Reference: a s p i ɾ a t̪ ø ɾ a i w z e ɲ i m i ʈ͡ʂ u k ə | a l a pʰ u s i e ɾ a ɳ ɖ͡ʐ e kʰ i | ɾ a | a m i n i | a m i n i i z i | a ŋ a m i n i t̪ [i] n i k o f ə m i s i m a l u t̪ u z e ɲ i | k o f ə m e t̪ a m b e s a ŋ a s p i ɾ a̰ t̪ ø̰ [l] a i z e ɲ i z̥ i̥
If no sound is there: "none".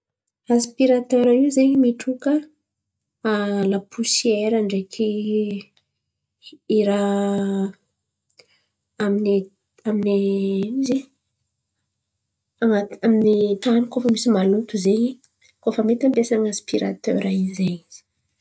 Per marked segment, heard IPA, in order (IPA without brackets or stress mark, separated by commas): a, ɾ